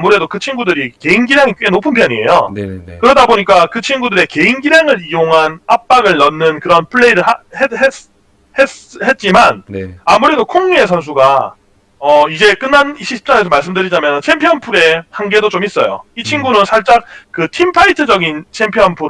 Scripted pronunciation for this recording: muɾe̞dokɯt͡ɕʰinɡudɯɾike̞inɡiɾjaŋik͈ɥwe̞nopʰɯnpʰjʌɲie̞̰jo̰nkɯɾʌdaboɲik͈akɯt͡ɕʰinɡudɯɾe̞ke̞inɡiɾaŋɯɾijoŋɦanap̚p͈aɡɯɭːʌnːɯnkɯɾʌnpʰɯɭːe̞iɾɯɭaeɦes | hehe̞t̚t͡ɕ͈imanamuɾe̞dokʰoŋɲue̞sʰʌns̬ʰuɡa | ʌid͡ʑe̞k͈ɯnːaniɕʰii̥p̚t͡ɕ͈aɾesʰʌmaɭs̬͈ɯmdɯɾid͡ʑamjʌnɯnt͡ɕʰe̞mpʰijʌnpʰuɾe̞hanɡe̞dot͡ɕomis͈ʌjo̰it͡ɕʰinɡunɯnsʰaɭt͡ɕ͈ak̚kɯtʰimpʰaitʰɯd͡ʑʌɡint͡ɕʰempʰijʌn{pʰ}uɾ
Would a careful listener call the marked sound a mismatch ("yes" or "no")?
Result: no